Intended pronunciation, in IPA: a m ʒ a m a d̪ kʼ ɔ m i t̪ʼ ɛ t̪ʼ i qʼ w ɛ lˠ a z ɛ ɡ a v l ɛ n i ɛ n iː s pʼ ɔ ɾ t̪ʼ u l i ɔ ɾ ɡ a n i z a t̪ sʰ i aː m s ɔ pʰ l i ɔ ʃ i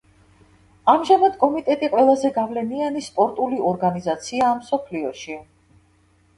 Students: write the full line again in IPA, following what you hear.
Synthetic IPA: a m ʒ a m a d̪ kʼ ɔ m i t̪ʼ ɛ t̪ʼ i qʼ w ɛ lˠ a z ɛ ɡ a v l ɛ n i a n i s pʼ ɔ ɾ t̪ʼ u l i ɔ ɾ ɡ a n i z a t̪ sʰ i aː m s ɔ pʰ l i ɔ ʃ i